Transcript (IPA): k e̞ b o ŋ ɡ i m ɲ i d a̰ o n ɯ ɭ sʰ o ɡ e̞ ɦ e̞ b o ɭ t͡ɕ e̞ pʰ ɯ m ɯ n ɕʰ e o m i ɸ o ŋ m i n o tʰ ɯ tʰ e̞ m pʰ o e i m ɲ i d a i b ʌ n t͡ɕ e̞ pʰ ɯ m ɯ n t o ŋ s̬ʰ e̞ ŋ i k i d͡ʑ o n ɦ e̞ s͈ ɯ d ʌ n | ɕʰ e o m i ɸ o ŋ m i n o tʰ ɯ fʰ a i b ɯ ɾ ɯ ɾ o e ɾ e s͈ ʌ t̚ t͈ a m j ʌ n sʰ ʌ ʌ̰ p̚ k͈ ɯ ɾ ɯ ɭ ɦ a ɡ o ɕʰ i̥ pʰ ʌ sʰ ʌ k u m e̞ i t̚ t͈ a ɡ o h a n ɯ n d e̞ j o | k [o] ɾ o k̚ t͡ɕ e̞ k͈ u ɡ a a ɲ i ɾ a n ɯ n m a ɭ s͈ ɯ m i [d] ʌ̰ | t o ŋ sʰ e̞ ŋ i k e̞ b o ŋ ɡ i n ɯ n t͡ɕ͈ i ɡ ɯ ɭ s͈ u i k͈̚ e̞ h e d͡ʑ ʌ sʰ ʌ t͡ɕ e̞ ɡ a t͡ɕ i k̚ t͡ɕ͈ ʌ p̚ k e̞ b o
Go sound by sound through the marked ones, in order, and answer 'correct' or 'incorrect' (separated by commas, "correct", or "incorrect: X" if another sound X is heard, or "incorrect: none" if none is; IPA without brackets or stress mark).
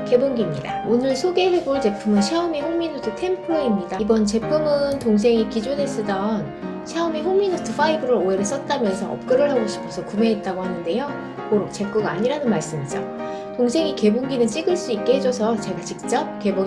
correct, incorrect: d͡ʑ